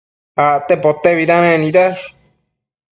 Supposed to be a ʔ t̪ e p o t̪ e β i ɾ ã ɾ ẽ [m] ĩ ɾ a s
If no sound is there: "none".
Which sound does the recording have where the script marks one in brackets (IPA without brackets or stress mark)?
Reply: n